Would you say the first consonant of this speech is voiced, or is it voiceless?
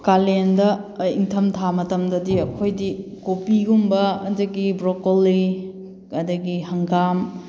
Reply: voiceless